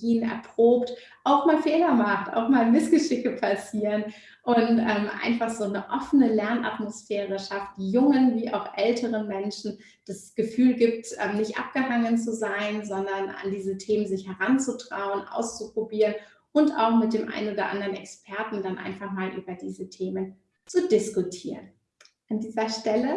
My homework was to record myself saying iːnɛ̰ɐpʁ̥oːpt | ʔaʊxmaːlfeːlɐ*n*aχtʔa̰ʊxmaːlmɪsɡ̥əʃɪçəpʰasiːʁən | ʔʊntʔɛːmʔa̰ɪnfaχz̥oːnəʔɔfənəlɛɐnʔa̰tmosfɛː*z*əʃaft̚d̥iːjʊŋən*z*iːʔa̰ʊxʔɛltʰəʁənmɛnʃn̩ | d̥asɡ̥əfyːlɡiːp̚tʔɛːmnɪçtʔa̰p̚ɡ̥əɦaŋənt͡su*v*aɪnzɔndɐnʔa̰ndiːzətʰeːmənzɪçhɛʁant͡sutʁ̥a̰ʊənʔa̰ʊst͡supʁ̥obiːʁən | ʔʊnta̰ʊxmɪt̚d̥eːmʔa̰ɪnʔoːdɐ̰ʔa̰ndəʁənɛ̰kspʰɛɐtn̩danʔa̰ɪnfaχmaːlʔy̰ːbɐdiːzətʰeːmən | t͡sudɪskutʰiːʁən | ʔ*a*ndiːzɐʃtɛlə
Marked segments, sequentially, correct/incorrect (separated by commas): incorrect, incorrect, incorrect, incorrect, correct